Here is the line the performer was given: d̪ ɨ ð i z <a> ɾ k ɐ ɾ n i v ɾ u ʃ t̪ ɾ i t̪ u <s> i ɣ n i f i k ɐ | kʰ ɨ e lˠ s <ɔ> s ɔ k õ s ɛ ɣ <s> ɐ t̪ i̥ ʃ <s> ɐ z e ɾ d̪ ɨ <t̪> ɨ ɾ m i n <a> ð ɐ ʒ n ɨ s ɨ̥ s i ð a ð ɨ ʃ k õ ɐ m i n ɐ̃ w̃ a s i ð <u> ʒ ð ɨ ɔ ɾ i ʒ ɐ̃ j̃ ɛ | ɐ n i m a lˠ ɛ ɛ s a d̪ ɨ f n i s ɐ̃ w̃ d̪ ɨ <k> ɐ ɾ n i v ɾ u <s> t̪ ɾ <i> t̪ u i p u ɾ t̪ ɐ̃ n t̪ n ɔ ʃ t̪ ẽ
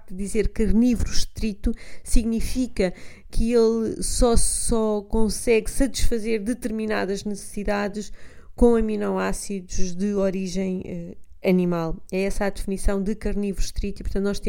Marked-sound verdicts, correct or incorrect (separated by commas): incorrect, correct, correct, correct, incorrect, correct, correct, correct, correct, incorrect, correct